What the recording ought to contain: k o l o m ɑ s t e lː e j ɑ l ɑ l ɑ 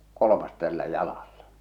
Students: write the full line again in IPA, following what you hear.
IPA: k o l o m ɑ s t æ lː æ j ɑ l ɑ lː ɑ